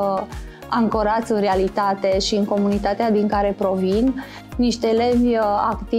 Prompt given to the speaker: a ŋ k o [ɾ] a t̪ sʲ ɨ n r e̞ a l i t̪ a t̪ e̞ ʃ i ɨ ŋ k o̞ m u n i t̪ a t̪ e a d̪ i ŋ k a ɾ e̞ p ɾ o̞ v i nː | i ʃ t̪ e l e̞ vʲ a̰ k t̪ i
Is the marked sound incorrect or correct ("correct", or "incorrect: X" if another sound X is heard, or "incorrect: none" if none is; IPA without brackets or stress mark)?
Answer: correct